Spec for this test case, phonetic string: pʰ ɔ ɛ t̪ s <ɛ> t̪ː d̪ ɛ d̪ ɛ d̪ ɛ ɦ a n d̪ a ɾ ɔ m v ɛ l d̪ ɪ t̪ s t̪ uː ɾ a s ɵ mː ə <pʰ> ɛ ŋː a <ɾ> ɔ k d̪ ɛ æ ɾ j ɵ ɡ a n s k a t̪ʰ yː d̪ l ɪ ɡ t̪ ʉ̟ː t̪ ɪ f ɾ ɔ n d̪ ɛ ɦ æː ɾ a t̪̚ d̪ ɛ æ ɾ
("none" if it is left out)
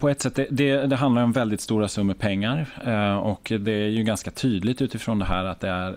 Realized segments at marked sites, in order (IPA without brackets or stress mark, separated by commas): ɛ, pʰ, ɾ